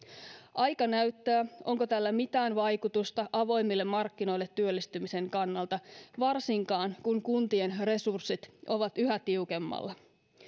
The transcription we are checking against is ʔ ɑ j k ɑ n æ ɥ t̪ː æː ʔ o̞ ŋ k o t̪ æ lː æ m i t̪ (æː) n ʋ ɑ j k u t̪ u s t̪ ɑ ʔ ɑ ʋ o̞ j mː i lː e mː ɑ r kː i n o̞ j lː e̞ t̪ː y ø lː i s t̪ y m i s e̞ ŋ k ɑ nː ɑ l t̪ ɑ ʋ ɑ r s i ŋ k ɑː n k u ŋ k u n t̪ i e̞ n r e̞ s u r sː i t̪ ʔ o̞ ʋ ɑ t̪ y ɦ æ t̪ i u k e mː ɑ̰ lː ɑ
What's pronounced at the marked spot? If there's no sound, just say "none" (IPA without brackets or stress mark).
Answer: æː